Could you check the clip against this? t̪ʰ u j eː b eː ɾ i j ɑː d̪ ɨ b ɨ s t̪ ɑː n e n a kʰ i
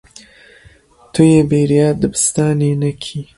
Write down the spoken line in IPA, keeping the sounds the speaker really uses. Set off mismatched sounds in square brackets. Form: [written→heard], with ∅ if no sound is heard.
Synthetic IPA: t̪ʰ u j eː b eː ɾ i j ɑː d̪ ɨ b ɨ s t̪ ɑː n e n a kʰ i